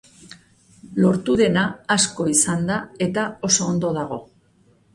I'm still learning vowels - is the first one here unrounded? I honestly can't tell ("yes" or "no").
no